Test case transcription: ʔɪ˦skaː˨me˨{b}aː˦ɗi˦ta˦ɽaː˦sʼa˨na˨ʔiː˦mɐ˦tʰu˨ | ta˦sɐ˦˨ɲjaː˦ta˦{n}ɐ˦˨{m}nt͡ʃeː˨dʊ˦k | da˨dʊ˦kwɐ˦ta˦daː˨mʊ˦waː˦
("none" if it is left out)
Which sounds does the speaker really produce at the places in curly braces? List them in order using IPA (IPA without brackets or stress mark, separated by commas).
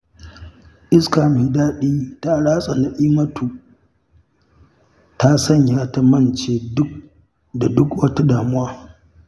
d, m, none